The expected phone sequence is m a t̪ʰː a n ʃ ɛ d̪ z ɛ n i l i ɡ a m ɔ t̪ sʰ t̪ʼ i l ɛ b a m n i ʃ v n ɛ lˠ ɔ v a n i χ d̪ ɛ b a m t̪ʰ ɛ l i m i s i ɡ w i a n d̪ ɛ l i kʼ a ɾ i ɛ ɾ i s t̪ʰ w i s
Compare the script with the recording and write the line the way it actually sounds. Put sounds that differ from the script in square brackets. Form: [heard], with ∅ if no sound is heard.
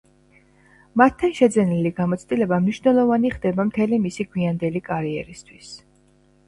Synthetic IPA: m a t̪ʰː a n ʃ ɛ d̪ z ɛ n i l i ɡ a m ɔ t̪ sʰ t̪ʼ i l ɛ b a m n i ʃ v n ɛ lˠ ɔ v a n i χ d̪ ɛ b a m t̪ʰ ɛ l i m i s i ɡ w i a n d̪ ɛ l i kʼ a ɾ i ɛ ɾ i s t̪ʰ w i s